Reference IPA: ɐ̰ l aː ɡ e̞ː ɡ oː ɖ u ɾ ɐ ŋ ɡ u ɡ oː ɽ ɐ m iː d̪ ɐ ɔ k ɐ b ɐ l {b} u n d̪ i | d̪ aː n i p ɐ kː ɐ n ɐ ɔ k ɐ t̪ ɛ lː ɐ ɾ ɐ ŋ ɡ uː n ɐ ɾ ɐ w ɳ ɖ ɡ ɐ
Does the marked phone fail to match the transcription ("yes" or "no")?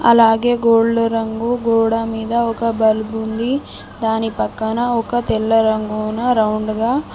no